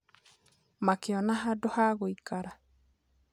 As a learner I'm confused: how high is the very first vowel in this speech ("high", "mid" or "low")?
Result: low